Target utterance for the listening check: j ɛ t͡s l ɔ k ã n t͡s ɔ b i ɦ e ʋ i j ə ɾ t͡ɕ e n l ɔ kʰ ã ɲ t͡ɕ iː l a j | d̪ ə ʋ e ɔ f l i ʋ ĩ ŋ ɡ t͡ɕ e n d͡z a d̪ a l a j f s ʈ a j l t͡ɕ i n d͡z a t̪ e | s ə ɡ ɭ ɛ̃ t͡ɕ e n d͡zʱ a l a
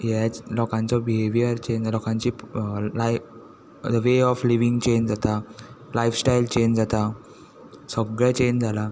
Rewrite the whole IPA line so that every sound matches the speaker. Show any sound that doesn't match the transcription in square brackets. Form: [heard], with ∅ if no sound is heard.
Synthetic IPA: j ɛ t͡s l ɔ k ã n t͡s ɔ b i ɦ e ʋ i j ə ɾ t͡ɕ e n l ɔ [k] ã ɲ t͡ɕ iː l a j | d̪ ə ʋ e ɔ f l i ʋ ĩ ŋ ɡ t͡ɕ e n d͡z a [t̪] a l a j f s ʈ a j l t͡ɕ [e] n d͡z a t̪ [a] | s ə ɡ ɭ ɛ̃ t͡ɕ e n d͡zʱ a l a